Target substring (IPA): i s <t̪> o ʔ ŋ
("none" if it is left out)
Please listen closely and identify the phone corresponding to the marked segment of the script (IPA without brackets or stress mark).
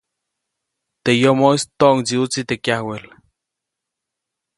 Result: t̪